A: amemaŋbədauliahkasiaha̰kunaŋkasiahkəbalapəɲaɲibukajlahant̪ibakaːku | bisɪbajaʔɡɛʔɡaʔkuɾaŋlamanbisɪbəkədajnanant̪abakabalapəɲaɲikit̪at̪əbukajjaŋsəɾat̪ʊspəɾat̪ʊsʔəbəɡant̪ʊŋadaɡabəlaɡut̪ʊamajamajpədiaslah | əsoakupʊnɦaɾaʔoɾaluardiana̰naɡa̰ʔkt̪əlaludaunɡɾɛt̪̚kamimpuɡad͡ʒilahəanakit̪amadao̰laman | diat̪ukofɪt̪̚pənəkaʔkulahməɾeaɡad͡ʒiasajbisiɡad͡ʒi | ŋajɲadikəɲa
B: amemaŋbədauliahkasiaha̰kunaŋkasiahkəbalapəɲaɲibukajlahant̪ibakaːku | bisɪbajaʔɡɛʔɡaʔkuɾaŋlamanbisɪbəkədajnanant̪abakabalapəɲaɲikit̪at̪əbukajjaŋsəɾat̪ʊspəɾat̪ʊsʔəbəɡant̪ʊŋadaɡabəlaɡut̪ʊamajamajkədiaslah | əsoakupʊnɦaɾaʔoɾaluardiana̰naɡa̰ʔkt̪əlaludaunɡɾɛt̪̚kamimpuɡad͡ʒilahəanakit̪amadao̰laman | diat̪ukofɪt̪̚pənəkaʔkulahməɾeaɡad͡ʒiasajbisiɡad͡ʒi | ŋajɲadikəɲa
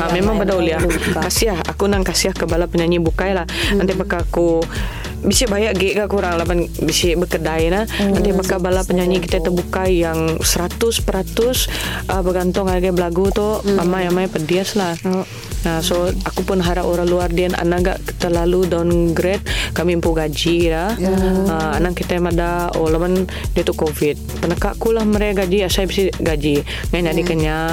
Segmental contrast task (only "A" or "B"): A